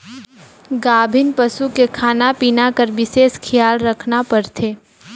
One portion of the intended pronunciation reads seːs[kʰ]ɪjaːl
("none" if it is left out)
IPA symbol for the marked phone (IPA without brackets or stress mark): kʰ